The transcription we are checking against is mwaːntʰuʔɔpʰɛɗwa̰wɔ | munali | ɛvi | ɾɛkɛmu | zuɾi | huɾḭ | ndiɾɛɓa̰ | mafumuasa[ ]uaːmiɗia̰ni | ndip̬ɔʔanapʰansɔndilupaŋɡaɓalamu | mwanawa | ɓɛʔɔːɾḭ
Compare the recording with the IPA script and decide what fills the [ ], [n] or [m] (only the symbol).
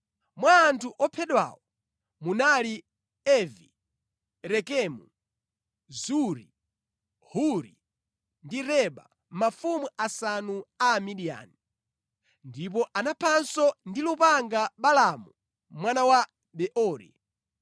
n